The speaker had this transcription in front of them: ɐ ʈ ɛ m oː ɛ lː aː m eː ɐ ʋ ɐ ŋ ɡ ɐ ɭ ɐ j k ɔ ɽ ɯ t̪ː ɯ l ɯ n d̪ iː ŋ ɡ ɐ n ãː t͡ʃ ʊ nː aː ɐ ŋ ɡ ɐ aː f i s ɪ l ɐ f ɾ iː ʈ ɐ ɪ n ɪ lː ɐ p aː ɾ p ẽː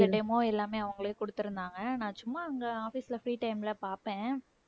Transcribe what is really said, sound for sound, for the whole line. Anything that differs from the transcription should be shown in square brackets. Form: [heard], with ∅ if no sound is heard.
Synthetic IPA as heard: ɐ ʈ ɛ m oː ɛ lː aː m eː ɐ ʋ ɐ ŋ ɡ ɐ ɭ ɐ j k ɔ ɽ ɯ t̪ː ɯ [ɾ] ɯ n d̪ [aː] ŋ ɡ ɐ n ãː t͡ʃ ʊ [mː] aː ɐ ŋ ɡ ɐ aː f i s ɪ l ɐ f ɾ iː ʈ ɐ ɪ [m] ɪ [l] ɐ p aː ɾ p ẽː